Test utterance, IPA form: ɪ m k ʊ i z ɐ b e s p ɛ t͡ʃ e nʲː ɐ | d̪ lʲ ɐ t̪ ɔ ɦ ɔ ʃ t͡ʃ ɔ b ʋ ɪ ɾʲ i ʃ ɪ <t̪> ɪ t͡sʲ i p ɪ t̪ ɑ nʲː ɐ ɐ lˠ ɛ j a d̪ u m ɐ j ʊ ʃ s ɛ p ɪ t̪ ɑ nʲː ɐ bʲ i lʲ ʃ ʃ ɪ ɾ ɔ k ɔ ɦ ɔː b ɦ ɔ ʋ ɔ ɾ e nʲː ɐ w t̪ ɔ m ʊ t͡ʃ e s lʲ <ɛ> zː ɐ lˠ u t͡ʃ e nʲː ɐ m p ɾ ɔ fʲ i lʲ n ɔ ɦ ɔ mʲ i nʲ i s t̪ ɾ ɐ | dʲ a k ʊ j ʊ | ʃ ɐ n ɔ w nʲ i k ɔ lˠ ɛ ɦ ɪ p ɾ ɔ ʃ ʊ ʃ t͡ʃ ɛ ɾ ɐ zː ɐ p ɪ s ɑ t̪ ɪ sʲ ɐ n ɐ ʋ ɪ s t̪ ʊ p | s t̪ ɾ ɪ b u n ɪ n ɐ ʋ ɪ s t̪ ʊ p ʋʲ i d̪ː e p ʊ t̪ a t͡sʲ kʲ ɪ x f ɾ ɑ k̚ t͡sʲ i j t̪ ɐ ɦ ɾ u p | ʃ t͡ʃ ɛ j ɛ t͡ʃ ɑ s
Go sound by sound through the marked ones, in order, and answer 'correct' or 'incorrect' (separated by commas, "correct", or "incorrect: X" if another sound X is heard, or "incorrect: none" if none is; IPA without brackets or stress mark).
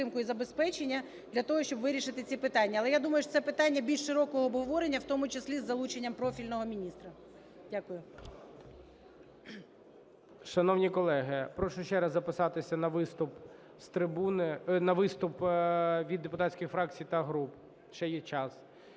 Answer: correct, incorrect: i